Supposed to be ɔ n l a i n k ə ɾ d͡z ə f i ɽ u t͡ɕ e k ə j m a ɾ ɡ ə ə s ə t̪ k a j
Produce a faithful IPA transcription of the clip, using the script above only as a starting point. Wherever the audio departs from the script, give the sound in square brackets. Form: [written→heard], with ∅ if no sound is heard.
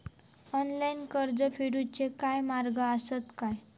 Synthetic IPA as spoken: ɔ n l a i n k ə ɾ d͡z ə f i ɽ u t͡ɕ e k [ə→a] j m a ɾ ɡ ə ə s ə t̪ k a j